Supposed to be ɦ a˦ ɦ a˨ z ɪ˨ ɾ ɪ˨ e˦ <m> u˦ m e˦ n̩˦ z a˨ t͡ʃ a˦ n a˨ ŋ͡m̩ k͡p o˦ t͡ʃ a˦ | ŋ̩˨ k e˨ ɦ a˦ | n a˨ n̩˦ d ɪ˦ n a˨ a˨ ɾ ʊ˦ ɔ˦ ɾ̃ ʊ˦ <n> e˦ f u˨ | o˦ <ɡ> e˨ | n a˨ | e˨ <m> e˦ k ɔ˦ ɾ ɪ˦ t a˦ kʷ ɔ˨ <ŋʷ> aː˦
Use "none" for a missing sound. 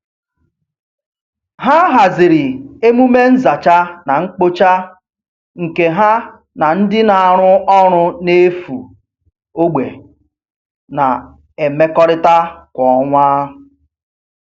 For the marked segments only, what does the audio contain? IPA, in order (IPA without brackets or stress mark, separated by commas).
m, n, ɡ͡b, m, ŋʷ